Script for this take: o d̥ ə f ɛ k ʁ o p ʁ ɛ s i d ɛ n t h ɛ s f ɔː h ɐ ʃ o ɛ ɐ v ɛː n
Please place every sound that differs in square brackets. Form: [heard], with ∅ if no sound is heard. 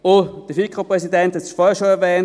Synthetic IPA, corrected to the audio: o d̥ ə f [i] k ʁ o p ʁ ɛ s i d ɛ n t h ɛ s f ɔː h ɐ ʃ o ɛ ɐ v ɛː n